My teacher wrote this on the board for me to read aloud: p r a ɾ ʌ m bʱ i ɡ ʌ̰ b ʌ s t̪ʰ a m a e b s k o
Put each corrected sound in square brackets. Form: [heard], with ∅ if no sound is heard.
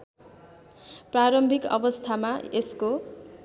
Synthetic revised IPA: p r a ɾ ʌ m bʱ i [k] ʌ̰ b ʌ s t̪ʰ a m a e [∅] s k o